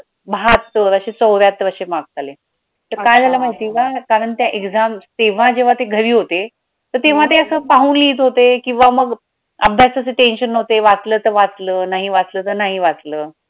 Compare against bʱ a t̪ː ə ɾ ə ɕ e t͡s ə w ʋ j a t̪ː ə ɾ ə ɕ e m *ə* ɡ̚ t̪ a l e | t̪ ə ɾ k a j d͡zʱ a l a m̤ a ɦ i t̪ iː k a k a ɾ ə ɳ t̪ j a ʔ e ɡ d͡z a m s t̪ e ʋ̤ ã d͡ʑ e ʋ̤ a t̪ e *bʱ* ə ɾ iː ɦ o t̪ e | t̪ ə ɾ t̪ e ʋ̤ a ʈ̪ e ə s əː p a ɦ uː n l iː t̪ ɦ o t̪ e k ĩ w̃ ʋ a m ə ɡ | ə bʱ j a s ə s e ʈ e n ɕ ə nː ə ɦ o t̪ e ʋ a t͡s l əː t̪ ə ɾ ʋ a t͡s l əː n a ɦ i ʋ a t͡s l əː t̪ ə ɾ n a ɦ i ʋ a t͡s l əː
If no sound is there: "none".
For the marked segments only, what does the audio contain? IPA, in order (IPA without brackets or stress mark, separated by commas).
a, ɡʱ